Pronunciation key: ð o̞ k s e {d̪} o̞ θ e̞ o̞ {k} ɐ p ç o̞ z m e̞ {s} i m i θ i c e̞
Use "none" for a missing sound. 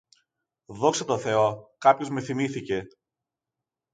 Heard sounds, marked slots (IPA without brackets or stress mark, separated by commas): t̪, k, θ